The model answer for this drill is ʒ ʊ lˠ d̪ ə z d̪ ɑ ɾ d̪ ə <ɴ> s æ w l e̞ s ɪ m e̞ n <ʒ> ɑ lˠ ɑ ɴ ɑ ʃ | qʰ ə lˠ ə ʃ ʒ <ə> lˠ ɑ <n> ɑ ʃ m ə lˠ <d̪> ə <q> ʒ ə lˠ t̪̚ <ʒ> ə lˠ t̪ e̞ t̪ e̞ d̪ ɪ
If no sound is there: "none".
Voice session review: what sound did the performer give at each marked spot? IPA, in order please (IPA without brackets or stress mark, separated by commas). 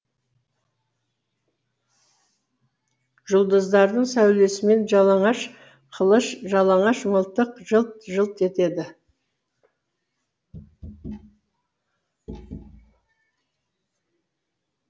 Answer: ɴ, ʒ, ɑ, ɴ, t̪, q, ʒ